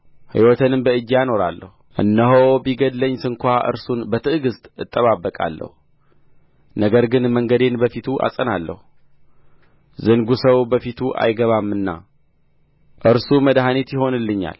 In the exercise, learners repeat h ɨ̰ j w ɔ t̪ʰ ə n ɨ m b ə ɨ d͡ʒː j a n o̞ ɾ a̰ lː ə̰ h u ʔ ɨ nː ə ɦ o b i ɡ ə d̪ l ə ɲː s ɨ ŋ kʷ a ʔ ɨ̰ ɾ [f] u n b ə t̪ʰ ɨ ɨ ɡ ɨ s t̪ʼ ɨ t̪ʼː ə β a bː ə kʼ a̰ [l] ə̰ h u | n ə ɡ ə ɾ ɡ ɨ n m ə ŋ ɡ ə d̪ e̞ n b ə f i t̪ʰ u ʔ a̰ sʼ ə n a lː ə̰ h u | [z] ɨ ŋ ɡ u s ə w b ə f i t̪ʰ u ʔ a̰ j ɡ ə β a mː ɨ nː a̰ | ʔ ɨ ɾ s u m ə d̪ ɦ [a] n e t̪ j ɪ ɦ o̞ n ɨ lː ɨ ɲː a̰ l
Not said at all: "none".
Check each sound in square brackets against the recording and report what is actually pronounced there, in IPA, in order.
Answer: s, lː, z, a

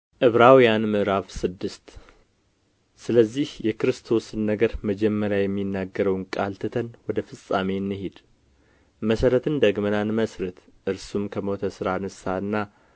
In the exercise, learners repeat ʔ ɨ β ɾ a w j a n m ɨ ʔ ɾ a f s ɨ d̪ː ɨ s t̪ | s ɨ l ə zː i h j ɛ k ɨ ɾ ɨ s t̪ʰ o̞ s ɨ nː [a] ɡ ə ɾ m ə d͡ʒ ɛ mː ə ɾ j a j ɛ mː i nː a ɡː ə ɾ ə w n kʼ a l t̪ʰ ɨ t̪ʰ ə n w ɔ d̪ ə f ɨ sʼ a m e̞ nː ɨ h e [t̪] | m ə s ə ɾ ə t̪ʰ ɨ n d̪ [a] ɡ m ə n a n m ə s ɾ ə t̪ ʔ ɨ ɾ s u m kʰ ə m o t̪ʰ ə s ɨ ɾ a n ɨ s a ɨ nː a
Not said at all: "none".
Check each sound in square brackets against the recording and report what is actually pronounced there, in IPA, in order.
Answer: ə, d̪, ə

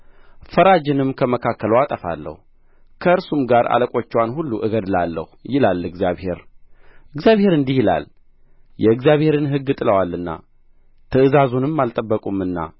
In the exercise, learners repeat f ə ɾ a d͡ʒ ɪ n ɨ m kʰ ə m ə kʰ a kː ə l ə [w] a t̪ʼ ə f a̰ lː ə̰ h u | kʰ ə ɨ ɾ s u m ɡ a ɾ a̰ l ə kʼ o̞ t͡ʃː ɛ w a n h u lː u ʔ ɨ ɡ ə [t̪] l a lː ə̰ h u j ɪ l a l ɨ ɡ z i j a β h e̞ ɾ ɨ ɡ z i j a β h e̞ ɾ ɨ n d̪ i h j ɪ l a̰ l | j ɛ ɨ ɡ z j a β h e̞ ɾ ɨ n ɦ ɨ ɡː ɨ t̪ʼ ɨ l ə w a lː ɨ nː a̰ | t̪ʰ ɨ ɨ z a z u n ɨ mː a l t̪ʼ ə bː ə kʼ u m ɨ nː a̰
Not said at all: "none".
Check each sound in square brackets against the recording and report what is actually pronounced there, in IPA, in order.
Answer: w, d̪

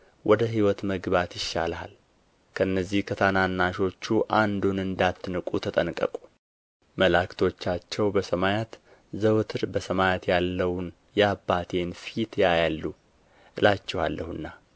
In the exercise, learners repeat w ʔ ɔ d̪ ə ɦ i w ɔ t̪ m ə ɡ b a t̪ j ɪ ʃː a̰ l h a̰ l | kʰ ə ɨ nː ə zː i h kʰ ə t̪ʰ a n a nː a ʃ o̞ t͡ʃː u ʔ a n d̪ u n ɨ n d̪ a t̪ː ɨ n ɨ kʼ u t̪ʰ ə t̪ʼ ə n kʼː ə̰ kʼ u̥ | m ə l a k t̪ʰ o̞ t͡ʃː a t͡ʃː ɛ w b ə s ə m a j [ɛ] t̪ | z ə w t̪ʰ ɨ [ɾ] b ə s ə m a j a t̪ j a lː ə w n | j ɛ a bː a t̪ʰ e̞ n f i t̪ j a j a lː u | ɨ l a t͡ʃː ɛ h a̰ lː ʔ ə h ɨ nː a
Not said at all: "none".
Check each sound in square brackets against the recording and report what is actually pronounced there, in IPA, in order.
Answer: a, ɾ

